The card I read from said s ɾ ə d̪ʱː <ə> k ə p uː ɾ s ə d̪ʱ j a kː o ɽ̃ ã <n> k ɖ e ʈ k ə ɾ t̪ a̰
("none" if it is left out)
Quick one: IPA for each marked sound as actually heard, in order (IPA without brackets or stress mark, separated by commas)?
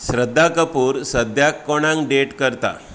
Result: a, ŋ